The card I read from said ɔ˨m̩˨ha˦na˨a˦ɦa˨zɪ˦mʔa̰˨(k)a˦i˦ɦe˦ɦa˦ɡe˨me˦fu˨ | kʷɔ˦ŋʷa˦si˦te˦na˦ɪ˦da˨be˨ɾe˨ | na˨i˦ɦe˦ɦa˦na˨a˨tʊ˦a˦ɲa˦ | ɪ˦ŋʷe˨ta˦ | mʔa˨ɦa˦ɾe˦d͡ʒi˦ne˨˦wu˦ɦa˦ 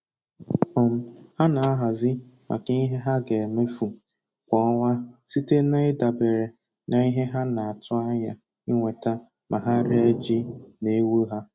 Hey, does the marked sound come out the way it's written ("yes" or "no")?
yes